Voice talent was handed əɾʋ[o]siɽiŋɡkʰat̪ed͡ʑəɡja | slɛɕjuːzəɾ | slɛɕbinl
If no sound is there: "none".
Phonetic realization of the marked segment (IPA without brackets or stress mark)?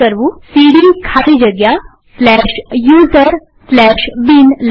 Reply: u